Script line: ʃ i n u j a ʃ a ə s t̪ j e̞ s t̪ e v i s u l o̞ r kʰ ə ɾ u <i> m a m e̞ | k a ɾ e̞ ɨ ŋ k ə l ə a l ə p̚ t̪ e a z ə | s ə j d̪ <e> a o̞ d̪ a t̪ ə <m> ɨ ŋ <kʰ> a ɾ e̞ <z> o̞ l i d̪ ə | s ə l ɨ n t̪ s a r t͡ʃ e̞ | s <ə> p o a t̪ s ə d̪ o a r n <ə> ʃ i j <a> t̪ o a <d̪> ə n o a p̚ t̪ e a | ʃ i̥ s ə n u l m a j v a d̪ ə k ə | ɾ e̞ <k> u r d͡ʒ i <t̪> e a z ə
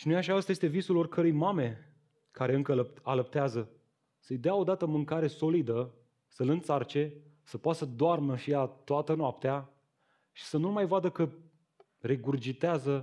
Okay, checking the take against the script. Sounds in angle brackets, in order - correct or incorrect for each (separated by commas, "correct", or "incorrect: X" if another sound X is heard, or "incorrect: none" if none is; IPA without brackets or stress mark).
incorrect: j, correct, correct, incorrect: k, incorrect: s, correct, correct, correct, incorrect: t̪, incorrect: ɡ, correct